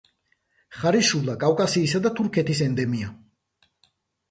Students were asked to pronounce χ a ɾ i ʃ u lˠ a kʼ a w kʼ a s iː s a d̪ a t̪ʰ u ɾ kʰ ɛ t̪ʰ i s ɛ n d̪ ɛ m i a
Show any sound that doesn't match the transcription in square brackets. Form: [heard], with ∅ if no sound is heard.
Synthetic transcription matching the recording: χ a ɾ i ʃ u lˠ a kʼ a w kʼ a s iː s a d̪ a t̪ʰ u ɾ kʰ ɛ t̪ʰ i s ɛ n d̪ ɛ m i a

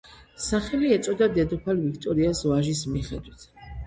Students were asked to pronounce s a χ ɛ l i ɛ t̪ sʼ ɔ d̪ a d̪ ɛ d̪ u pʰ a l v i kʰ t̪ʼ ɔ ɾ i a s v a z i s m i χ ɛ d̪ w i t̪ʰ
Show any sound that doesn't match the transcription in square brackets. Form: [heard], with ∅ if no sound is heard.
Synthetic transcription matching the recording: s a χ ɛ l i ɛ t̪ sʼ ɔ d̪ a d̪ ɛ d̪ [ɔ] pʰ a l v i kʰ t̪ʼ ɔ ɾ i a s v a [ʒ] i s m i χ ɛ d̪ w i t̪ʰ

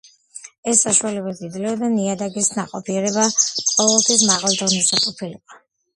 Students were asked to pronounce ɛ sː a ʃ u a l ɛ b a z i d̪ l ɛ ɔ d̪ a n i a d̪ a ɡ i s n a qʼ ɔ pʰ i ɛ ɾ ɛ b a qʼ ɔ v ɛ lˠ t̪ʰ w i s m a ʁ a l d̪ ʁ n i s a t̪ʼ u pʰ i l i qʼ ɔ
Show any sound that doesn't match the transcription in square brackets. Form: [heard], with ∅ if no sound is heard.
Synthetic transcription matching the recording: ɛ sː a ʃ u a l ɛ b a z i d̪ l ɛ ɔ d̪ a n i a d̪ a ɡ i s n a qʼ ɔ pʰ i ɛ ɾ ɛ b a qʼ ɔ v ɛ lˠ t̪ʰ w i s m a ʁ a l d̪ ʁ n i s a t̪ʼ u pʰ i l i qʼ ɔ

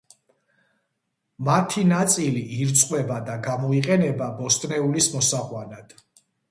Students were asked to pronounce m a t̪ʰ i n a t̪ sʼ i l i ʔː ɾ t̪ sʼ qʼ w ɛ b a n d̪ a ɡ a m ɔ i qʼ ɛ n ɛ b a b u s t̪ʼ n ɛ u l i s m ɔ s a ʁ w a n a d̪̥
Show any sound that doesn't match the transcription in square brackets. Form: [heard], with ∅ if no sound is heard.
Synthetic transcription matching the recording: m a t̪ʰ i n a t̪ sʼ i l i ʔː ɾ t̪ sʼ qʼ w ɛ b a [∅] d̪ a ɡ a m ɔ i qʼ ɛ n ɛ b a b [ɔ] s t̪ʼ n ɛ u l i s m ɔ s a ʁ w a n a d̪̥

